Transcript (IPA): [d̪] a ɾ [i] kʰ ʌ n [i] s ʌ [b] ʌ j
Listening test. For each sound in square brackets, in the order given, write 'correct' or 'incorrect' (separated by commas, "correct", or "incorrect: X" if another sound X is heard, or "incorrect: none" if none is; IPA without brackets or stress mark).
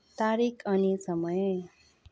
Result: incorrect: t̪, correct, correct, incorrect: m